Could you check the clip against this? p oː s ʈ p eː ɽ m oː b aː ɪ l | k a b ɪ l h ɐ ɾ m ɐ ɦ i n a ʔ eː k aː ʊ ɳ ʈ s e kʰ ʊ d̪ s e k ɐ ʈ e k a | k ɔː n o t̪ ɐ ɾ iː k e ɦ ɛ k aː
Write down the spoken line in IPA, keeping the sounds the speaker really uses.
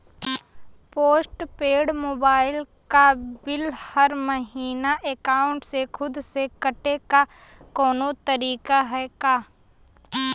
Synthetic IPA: p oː s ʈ p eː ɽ m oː b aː ɪ l | k a b ɪ l h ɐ ɾ m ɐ ɦ iː n a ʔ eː k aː ʊ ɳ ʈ s e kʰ ʊ d̪ s e k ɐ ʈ e k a | k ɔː n o t̪ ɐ ɾ iː k a ɦ ɛ k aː